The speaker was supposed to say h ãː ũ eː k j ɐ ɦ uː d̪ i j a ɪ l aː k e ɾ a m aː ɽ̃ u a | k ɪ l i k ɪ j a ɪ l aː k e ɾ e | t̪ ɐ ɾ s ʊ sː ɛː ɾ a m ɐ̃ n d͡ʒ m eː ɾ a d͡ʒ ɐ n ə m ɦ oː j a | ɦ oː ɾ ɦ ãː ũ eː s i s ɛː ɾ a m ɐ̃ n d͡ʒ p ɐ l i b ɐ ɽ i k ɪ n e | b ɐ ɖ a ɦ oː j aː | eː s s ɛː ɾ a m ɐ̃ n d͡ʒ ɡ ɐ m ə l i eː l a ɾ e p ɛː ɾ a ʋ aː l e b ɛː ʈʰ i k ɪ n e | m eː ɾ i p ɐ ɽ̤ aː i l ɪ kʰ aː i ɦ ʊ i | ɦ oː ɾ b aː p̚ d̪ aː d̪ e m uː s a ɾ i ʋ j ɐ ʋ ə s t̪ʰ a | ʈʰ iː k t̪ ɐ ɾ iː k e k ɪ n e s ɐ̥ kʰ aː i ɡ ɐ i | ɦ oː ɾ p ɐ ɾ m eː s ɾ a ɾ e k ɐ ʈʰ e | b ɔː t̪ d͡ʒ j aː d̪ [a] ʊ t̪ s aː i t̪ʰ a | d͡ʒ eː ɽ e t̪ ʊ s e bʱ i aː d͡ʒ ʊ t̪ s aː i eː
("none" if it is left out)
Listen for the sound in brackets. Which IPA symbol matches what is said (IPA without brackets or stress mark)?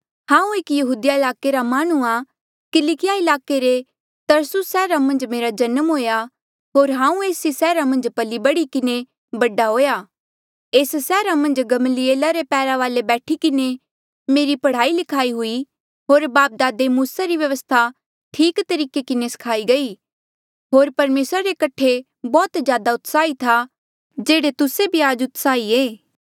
a